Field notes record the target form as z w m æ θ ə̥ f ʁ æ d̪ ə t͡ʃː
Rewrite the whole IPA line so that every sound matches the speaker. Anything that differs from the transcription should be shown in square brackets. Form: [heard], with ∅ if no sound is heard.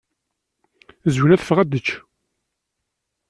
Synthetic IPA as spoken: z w [n] æ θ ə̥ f ʁ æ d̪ ə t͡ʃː